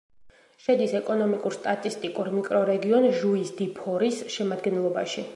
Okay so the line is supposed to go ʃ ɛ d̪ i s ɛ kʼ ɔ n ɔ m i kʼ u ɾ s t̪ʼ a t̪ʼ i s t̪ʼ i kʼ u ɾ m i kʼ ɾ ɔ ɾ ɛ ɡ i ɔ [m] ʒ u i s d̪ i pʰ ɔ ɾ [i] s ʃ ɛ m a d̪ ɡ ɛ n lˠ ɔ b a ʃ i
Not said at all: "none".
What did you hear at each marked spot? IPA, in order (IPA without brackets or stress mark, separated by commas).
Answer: n, i